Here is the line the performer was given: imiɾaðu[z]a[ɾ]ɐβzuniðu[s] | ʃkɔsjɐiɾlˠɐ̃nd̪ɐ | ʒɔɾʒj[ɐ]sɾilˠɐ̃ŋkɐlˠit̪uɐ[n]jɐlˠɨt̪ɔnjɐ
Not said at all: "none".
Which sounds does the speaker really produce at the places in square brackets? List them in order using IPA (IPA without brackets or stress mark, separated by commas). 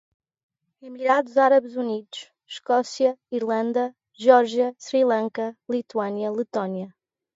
z, ɾ, ʃ, ɐ, n